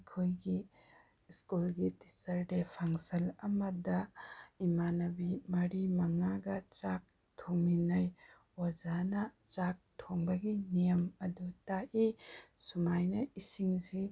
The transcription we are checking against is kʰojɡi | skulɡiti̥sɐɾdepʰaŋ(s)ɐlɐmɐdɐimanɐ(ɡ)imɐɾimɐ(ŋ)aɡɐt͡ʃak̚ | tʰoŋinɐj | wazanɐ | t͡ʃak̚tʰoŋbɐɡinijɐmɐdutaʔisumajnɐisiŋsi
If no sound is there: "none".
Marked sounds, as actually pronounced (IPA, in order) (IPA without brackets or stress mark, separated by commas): s, b, ŋ